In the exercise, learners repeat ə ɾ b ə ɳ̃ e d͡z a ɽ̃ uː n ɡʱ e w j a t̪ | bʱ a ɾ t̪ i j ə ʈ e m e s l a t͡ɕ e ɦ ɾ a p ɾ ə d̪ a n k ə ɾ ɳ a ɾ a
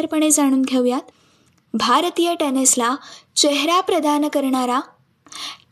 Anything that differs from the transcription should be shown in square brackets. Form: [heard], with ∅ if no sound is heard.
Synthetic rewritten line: ə ɾ [p] ə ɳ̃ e d͡z a ɽ̃ uː n ɡʱ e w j a t̪ | bʱ a ɾ t̪ i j ə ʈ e [n] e s l a t͡ɕ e ɦ ɾ a p ɾ ə d̪ a n k ə ɾ ɳ a ɾ a